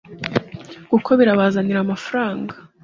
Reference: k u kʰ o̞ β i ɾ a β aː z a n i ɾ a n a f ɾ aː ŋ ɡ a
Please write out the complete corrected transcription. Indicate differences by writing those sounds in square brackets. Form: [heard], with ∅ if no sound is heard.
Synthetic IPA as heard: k u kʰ o̞ β i ɾ a β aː z a n i ɾ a [m] a f ɾ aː ŋ ɡ a